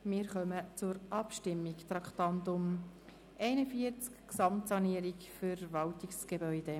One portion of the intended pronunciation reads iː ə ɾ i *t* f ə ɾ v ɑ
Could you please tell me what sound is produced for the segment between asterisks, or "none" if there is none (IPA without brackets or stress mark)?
k